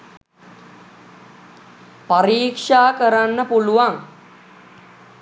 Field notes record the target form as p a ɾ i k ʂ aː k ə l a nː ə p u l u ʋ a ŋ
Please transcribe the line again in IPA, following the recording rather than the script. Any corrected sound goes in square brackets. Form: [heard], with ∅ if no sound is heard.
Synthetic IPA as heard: p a ɾ [iː] k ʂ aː k ə [ɾ] a nː ə p u l u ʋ a ŋ